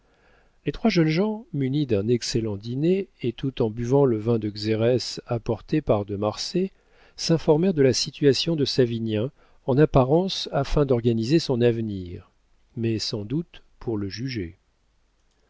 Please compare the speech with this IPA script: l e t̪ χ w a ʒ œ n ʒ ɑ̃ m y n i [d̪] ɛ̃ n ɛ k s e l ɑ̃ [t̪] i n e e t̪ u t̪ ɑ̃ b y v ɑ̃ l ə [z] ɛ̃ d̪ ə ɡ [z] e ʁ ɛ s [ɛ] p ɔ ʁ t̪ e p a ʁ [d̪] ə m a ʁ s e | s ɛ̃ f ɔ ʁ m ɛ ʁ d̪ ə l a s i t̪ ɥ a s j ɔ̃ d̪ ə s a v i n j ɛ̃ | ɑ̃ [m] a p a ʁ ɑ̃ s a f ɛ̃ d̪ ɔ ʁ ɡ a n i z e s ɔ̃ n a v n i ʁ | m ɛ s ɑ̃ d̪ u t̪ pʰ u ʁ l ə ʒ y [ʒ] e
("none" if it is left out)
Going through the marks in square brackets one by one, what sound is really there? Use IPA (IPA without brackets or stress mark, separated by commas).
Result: d̪, d̪, v, z, a, d̪, n, ʒ